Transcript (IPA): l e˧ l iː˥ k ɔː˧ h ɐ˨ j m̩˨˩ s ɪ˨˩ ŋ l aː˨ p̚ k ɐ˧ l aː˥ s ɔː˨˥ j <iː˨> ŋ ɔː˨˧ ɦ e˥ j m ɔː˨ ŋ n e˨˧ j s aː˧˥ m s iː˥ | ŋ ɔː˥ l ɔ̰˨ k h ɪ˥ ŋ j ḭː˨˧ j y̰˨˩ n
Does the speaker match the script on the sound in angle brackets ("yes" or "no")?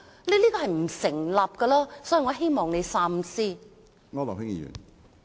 no